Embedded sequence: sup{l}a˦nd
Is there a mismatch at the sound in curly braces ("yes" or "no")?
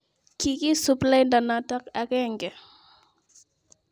no